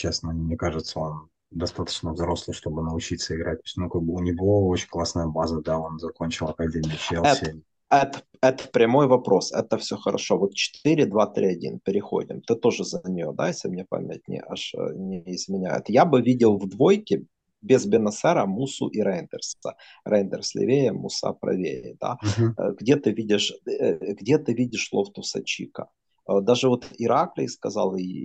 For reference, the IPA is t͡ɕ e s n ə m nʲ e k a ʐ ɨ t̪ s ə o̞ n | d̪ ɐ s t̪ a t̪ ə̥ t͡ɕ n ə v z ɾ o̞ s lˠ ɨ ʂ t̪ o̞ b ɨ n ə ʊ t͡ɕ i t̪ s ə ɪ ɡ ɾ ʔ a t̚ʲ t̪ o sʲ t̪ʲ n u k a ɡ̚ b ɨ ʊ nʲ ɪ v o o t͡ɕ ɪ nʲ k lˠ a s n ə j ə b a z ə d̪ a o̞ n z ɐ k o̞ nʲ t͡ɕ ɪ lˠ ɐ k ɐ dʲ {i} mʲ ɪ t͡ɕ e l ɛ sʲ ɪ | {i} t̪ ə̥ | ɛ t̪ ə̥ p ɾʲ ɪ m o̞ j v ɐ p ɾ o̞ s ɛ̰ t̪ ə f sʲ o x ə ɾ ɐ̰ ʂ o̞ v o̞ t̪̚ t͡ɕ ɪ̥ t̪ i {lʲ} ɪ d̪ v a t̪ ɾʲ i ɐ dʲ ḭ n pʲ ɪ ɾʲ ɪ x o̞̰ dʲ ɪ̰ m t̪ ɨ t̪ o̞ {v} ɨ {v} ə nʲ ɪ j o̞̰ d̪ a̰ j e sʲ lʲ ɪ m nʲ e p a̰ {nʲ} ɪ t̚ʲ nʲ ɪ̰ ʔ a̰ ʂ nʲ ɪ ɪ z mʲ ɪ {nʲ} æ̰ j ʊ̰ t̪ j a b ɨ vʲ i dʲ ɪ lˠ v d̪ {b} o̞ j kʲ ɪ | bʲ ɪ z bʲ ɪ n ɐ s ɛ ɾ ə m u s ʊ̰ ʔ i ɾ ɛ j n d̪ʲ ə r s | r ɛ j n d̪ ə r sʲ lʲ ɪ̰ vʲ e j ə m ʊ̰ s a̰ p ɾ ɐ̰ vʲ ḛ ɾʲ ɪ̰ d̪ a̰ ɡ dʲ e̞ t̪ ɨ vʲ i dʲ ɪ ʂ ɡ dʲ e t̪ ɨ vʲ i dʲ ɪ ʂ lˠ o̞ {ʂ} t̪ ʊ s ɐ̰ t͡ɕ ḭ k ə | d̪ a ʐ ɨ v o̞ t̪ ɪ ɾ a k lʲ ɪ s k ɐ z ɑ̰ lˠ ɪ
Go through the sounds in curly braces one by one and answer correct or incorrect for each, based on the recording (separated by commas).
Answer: incorrect, incorrect, incorrect, incorrect, incorrect, incorrect, correct, incorrect, incorrect